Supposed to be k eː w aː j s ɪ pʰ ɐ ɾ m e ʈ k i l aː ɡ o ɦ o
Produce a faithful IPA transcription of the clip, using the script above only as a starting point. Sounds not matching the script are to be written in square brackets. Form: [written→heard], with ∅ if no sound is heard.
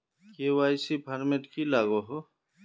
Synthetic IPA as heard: k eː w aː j s [ɪ→i] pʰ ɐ ɾ m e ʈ k i l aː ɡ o ɦ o